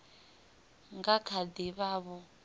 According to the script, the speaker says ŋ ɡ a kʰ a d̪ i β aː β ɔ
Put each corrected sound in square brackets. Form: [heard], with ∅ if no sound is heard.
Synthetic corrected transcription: ŋ ɡ a kʰ a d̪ i β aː β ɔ